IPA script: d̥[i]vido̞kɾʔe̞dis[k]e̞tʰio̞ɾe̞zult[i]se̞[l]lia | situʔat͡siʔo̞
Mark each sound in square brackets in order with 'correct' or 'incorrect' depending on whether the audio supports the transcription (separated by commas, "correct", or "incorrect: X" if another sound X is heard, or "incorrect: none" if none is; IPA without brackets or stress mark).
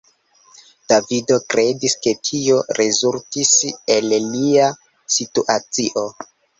incorrect: a, correct, correct, correct